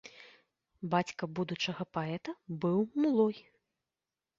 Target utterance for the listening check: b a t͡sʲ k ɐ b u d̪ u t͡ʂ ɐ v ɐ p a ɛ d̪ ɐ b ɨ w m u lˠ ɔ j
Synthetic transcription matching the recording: b a t͡sʲ k ɐ b u d̪ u t͡ʂ ɐ ɣ ɐ p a ɛ t̪ ɐ b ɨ w m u lˠ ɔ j

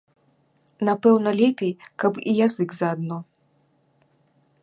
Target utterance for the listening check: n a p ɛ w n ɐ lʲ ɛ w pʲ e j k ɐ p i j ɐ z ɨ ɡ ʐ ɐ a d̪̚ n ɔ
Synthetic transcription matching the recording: n a p ɛ w n ɐ lʲ ɛ pʲ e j k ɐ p i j a z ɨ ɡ z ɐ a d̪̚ n ɔ

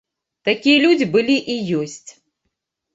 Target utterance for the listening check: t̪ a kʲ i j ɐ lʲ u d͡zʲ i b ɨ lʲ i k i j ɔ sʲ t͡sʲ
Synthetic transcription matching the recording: t̪ a kʲ i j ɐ lʲ u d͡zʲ i b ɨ lʲ i ʔ i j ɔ sʲ t͡sʲ

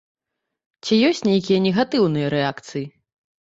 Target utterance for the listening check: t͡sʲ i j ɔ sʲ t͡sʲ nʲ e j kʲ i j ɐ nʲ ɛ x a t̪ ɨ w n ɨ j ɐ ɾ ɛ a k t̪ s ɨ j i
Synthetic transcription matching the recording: t͡sʲ i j ɔ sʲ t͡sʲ nʲ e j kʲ i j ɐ nʲ ɛ ɣ a t̪ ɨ w n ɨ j ɐ ɾ ɛ a k t̪ s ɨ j i

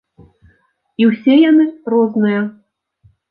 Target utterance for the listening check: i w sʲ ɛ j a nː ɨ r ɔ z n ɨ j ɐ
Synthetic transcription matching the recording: i w sʲ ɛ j a n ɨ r ɔ z n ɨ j ɐ

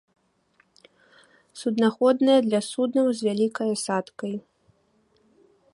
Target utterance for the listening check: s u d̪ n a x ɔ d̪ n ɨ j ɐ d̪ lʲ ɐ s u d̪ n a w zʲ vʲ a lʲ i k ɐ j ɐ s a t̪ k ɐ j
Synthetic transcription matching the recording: s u d̪ n a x ɔ d̪ n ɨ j ɐ d̪ lʲ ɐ s u d̪ n ɐ w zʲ vʲ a lʲ i k ɐ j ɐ s a t̪ k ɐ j

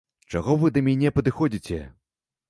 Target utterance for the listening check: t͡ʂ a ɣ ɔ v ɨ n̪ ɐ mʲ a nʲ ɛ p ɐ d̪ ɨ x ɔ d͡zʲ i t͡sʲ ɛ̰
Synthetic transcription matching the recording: t͡ʂ a ɣ ɔ v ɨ d̪ ɐ mʲ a nʲ ɛ p ɐ d̪ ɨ x ɔ d͡zʲ i t͡sʲ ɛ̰

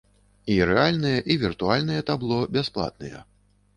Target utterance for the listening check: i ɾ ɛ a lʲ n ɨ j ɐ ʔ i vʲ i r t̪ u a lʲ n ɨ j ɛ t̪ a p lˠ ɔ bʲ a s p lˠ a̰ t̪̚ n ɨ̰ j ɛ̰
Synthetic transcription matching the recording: i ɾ ɛ a lʲ n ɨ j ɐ ʔ i vʲ i r t̪ u a lʲ n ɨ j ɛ t̪ a b lˠ ɔ bʲ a s p lˠ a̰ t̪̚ n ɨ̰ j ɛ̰

